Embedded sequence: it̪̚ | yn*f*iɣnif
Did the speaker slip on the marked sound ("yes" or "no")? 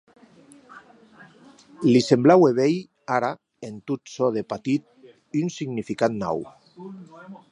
yes